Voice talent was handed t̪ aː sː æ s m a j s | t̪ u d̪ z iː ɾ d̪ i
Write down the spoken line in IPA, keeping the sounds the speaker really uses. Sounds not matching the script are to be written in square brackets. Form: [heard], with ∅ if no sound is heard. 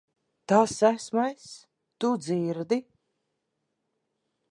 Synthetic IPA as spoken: t̪ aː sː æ s m a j s | t̪ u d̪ z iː ɾ d̪ i